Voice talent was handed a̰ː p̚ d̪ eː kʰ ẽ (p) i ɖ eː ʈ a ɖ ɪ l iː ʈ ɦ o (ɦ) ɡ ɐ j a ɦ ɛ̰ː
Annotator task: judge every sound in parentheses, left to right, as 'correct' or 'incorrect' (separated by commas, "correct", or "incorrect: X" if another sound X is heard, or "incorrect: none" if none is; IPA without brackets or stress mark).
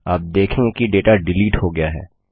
incorrect: k, incorrect: none